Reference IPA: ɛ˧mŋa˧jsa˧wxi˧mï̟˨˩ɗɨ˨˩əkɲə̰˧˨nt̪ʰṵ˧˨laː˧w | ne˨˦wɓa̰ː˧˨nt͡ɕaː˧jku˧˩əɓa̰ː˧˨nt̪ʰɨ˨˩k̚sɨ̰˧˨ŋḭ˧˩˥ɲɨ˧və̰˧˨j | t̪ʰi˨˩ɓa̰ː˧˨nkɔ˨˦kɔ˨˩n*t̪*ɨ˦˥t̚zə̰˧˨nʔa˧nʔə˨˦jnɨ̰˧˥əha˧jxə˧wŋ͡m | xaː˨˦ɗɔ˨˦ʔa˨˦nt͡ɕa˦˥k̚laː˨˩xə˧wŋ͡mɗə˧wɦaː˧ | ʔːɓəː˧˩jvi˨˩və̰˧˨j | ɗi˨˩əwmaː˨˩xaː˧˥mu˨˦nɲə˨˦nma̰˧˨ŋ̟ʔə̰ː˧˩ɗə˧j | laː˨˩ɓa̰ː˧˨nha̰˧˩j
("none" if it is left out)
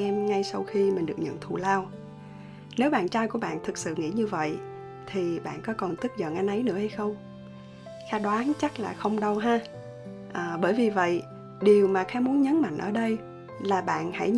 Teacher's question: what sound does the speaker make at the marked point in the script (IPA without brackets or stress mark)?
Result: t̪